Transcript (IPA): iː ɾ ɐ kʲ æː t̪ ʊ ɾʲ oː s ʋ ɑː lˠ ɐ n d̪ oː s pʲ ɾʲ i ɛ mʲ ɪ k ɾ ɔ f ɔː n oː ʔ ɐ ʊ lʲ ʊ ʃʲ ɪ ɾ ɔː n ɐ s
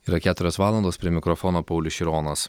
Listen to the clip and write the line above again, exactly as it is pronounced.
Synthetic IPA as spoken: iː ɾ ɐ kʲ æː t̪ ʊ ɾʲ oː s ʋ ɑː lˠ ɐ n d̪ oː s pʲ ɾʲ i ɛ mʲ ɪ k ɾ ɔ f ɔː n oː p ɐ ʊ lʲ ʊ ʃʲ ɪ ɾ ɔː n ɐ s

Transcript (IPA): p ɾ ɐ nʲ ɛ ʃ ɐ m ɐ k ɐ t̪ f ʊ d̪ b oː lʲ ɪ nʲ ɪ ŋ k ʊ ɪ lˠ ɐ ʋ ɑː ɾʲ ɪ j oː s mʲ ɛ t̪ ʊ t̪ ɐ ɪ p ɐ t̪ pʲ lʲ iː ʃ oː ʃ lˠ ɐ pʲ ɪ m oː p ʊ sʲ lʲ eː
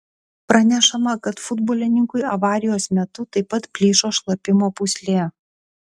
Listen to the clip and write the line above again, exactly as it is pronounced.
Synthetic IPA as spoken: p ɾ ɐ nʲ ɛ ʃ ɐ m ɐ k ɐ t̪ f ʊ d̪ b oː lʲ ɪ nʲ ɪ ŋ k ʊ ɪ ɐ ʋ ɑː ɾʲ ɪ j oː s mʲ ɛ t̪ ʊ t̪ ɐ ɪ p ɐ t̪ pʲ lʲ iː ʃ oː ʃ lˠ ɐ pʲ ɪ m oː p ʊ sʲ lʲ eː

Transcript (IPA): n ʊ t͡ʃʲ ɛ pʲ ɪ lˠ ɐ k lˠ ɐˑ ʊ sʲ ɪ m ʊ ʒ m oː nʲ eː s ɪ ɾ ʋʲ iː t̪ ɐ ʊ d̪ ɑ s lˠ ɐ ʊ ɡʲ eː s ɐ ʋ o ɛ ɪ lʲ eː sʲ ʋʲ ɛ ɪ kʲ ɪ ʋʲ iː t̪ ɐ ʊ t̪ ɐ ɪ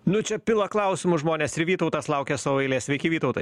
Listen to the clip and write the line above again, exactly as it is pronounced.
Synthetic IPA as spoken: n ʊ t͡ʃʲ ɛ pʲ ɪ lˠ ɐ k lˠ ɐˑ ʊ sʲ ɪ m ʊ ʒ m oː nʲ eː s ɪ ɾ ʋʲ iː t̪ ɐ ʊ t̪ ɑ s lˠ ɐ ʊ kʲ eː s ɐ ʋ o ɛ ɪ lʲ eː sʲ ʋʲ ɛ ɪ kʲ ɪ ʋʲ iː t̪ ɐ ʊ t̪ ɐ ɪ

